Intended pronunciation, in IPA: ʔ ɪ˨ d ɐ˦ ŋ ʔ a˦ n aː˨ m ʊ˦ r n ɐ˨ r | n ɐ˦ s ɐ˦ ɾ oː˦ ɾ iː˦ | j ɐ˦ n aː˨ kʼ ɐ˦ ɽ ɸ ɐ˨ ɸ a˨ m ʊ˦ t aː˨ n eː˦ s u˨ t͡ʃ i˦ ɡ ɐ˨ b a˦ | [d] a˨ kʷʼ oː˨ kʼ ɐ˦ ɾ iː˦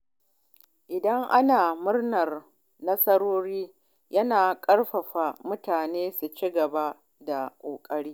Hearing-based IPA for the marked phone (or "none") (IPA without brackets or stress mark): d